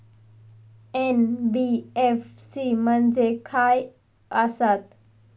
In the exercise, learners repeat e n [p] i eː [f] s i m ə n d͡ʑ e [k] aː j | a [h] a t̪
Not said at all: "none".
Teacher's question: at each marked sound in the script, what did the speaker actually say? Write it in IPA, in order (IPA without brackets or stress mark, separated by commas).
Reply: b, f, kʰ, s